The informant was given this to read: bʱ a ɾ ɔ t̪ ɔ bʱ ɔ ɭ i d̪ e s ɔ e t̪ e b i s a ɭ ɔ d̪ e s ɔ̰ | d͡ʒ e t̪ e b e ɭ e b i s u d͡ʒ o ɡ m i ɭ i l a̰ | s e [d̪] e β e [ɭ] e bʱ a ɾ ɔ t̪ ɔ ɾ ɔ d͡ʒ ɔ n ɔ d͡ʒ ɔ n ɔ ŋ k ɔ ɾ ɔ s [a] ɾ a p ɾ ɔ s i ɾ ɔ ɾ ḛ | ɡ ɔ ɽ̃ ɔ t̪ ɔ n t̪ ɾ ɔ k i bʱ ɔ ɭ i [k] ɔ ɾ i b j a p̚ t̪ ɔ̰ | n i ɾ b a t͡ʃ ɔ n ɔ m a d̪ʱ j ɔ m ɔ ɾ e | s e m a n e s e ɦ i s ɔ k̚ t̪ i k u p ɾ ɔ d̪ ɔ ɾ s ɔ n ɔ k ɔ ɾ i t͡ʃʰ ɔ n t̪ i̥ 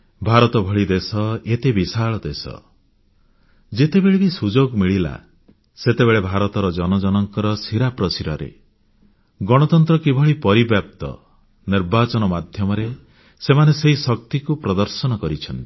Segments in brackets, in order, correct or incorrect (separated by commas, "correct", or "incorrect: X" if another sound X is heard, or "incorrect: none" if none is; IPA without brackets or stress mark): incorrect: t̪, correct, incorrect: i, incorrect: p